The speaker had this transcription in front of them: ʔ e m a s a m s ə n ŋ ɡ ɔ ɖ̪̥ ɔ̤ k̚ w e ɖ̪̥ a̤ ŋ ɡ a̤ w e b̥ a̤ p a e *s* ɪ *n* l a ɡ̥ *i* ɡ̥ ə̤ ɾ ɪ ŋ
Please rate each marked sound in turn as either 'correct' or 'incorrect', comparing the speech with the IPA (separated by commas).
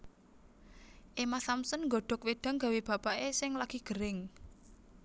correct, incorrect, correct